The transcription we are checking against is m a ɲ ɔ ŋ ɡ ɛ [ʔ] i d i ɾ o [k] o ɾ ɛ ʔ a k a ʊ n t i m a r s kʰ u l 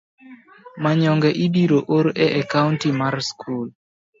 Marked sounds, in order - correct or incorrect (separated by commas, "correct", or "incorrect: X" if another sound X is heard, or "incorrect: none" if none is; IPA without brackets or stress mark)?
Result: correct, incorrect: ʔ